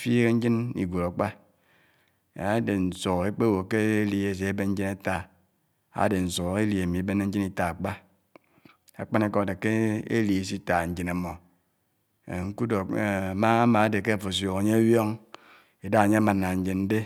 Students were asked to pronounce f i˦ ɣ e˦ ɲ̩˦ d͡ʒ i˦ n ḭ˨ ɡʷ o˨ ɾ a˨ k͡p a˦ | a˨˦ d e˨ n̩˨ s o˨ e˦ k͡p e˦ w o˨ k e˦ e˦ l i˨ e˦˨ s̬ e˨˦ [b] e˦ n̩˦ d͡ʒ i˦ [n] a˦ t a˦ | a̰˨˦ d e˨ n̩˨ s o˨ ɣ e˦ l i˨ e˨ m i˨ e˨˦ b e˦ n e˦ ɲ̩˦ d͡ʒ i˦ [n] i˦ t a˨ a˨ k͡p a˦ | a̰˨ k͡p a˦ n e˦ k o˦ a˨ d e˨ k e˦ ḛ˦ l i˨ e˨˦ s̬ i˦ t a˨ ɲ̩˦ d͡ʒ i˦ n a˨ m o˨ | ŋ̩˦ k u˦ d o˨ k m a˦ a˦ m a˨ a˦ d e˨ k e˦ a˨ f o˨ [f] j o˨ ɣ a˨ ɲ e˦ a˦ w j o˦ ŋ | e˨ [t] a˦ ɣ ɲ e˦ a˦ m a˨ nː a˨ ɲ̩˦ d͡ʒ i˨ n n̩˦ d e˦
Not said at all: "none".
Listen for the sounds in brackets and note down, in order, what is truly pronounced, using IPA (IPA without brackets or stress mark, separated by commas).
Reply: b, n, n, s, d